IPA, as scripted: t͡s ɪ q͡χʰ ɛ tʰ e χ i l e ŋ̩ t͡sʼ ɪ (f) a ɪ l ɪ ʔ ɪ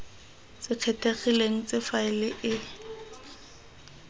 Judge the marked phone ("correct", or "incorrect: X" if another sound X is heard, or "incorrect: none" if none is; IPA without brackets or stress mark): correct